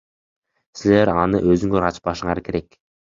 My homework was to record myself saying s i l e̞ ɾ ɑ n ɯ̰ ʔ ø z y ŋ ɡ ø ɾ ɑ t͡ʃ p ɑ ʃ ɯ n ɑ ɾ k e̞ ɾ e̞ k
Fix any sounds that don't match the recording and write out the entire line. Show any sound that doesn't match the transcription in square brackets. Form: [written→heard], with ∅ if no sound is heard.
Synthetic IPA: s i l e̞ ɾ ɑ n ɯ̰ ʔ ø z y ŋ ɡ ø ɾ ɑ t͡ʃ p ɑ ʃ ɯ [n→ɴ] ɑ ɾ k e̞ ɾ e̞ k